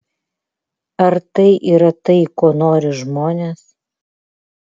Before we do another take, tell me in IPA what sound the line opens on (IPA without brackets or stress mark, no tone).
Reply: ɐ